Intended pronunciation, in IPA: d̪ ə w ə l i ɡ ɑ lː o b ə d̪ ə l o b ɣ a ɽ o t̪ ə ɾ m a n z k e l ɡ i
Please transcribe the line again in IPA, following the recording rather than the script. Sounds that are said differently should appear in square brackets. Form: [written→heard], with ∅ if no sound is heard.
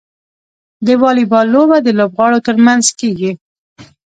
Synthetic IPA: d̪ ə w [ə→ɑ] l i [ɡ→b] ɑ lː o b [ə→a] d̪ ə l o b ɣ [a→ɑ] ɽ o t̪ ə ɾ m a n z k e [l→∅] ɡ i